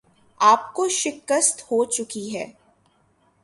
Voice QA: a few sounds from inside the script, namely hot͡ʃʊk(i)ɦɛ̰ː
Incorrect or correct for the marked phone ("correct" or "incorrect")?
correct